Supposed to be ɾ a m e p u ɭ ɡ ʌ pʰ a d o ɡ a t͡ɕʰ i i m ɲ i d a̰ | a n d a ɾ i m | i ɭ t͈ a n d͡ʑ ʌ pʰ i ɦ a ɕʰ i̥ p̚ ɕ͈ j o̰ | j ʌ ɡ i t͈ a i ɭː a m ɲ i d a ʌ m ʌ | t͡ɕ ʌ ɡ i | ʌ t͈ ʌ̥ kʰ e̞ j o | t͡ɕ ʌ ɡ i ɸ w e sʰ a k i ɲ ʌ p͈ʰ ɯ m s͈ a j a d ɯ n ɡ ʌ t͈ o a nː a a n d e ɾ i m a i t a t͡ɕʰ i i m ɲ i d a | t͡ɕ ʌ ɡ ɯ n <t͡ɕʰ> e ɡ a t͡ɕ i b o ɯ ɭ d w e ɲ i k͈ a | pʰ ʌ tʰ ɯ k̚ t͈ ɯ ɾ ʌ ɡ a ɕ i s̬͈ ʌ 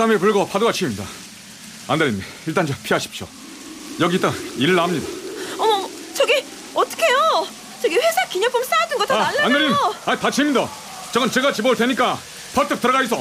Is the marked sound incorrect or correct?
incorrect